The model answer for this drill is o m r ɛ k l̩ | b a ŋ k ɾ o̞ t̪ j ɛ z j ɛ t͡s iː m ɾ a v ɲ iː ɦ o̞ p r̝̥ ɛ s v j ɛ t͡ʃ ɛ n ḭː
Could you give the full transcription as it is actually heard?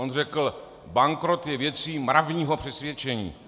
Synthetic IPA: o n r ɛ k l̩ | b a ŋ k ɾ o̞ t̪ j ɛ v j ɛ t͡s iː m ɾ a v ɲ iː ɦ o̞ p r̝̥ ɛ s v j ɛ t͡ʃ ɛ ɲ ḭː